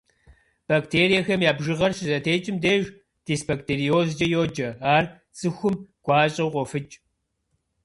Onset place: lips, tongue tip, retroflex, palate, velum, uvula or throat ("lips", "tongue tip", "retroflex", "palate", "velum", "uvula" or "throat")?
lips